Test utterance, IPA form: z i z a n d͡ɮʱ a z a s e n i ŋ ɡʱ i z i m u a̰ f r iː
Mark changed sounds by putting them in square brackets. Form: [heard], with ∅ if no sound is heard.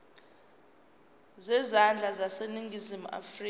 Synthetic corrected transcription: z [ɛ] z a n d͡ɮʱ a z a s e n i ŋ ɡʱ i z i m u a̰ f r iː